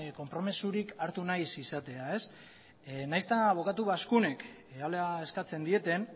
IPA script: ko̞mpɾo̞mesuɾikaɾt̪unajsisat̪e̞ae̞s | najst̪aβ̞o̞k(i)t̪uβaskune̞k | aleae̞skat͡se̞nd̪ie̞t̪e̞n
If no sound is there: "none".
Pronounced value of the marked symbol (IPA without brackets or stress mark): a